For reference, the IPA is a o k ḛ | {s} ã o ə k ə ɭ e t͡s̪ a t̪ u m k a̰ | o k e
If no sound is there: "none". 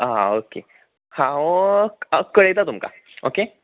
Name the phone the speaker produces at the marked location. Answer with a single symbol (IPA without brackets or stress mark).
h